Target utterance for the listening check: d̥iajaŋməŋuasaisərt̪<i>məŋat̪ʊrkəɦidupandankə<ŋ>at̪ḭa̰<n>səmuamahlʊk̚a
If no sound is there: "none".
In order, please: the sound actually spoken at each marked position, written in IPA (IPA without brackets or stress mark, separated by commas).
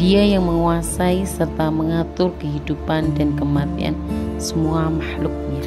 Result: a, m, n